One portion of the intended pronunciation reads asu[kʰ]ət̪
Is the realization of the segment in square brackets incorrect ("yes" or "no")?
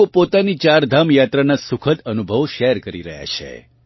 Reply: no